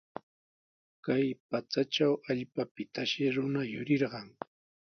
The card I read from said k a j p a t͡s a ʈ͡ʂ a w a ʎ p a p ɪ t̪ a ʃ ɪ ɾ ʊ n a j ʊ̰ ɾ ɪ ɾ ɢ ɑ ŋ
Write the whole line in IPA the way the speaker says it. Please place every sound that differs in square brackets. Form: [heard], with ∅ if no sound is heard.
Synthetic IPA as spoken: k a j p a t͡s a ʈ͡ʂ a w a ʎ p a p ɪ t̪ a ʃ ɪ ɾ ʊ n a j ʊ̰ ɾ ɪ ɾ ɢ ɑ ŋ